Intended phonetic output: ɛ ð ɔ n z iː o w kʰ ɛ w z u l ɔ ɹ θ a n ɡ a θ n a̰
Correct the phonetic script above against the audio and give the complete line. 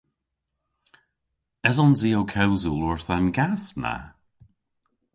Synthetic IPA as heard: ɛ z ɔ n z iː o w kʰ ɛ w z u l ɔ ɹ θ a n ɡ a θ n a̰